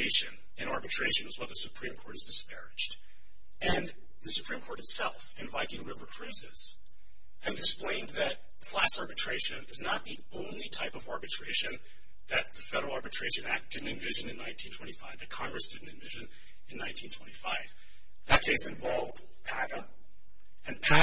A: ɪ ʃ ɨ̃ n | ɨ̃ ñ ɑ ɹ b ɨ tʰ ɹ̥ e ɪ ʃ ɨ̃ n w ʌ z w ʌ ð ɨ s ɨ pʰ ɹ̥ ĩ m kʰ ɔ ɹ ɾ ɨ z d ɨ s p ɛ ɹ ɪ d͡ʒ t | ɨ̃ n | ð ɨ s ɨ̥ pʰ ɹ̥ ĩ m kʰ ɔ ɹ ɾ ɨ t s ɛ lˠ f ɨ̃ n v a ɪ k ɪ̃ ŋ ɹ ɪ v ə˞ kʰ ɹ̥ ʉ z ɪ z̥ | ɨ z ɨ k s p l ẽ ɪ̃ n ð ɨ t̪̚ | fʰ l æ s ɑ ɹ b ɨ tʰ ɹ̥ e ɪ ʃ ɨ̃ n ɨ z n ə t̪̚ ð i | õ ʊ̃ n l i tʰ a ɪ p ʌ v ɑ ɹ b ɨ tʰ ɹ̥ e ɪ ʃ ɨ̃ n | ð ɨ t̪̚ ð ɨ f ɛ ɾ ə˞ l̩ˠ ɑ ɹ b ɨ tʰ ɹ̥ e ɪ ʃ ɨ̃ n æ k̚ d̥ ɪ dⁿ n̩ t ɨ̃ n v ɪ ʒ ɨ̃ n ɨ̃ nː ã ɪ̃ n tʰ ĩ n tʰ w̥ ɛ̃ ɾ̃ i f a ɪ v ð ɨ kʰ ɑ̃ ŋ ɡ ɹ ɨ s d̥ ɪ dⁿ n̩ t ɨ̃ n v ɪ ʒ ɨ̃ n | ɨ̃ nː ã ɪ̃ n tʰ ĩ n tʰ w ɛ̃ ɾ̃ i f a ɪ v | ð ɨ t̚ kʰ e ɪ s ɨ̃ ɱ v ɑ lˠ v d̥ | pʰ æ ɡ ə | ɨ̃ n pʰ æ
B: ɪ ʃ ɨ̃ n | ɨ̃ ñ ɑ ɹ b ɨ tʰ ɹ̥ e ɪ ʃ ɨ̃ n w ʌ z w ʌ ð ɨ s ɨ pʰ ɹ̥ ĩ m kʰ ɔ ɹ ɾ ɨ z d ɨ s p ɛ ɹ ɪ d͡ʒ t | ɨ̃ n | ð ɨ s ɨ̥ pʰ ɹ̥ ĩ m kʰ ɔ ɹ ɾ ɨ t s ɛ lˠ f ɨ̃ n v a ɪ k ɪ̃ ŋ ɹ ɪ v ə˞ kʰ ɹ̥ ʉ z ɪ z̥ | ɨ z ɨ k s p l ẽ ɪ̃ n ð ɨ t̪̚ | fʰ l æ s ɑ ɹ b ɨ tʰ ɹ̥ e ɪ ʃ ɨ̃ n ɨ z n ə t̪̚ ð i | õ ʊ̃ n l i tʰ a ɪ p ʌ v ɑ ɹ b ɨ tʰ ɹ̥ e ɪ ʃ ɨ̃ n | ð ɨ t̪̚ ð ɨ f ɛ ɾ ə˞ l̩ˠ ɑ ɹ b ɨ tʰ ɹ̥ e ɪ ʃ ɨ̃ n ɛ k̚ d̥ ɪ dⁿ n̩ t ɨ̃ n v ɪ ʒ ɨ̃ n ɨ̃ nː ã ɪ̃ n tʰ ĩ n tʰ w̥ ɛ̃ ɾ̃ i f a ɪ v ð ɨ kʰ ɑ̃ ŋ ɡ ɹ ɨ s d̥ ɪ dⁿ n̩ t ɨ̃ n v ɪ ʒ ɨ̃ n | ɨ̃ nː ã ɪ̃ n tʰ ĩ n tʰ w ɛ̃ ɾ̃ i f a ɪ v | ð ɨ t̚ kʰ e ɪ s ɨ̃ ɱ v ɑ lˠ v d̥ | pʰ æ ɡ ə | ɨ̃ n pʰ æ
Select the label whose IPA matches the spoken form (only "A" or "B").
A